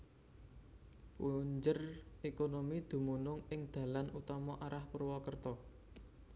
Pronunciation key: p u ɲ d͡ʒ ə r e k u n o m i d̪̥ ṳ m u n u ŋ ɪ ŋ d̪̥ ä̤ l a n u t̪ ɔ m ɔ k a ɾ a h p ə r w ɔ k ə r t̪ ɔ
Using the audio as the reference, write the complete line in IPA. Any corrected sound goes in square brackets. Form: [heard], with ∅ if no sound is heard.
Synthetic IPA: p u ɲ d͡ʒ ə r e k [o] n o m i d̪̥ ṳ m u n [ʊ] ŋ ɪ ŋ d̪̥ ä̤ l a n u t̪ ɔ m ɔ [ʔ] a ɾ a h p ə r w ɔ k ə r t̪ ɔ